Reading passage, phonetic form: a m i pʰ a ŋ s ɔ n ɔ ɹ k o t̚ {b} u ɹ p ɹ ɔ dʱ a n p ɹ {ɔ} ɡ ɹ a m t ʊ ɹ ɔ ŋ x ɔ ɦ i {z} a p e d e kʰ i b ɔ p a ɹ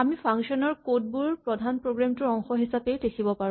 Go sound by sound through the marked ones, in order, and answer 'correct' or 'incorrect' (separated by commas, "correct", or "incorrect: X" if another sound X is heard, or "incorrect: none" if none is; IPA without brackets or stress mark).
correct, incorrect: o, incorrect: s